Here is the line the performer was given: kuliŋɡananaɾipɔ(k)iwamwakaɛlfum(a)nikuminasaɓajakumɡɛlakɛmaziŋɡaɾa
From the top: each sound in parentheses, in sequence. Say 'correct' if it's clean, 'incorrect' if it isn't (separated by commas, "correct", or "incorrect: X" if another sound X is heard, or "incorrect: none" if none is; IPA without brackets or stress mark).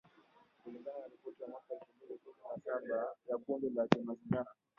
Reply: incorrect: t, incorrect: i